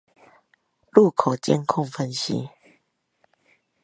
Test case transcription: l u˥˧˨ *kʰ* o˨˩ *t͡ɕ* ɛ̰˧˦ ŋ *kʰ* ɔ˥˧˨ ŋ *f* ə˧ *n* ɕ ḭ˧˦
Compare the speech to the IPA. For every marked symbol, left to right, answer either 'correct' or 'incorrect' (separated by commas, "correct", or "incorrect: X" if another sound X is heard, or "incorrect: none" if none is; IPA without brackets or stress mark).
correct, correct, correct, correct, correct